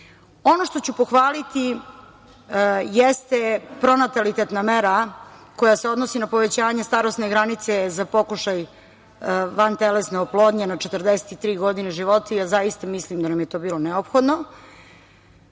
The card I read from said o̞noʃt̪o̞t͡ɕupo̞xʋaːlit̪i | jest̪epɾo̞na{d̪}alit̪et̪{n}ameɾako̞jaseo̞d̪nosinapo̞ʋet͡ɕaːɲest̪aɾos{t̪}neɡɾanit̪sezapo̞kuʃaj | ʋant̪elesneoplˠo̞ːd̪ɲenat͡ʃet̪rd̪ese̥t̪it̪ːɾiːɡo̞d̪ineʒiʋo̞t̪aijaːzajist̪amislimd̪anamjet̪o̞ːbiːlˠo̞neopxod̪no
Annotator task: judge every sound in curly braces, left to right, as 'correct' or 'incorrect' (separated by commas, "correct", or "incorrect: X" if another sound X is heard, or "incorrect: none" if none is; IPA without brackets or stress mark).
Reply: incorrect: t̪, correct, correct